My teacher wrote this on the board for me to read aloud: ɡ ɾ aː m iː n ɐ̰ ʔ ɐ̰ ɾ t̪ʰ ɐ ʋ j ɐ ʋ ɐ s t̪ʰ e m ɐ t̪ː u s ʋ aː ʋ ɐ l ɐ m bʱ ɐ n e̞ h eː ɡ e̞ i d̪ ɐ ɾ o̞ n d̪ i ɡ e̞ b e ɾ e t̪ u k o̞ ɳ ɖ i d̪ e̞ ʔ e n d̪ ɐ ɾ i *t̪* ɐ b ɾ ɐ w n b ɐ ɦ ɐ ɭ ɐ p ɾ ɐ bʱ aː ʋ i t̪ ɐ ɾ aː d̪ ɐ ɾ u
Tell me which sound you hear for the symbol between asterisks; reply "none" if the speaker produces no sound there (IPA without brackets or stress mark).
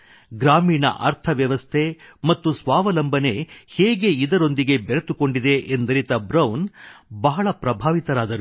t̪